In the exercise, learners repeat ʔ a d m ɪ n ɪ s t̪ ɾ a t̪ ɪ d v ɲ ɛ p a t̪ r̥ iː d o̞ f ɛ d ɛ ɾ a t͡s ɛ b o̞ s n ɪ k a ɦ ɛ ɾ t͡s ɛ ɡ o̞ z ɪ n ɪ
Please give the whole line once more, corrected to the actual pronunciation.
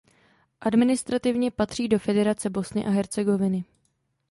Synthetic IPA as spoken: ʔ a d m ɪ n ɪ s t̪ ɾ a t̪ ɪ v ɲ ɛ p a t̪ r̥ iː d o̞ f ɛ d ɛ ɾ a t͡s ɛ b o̞ s n ɪ ʔ a ɦ ɛ ɾ t͡s ɛ ɡ o̞ v ɪ n ɪ